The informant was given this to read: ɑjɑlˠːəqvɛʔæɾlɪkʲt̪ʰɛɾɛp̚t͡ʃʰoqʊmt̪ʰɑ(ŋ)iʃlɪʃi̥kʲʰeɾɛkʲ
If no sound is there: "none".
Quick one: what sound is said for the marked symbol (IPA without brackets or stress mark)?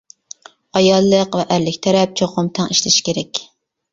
ŋ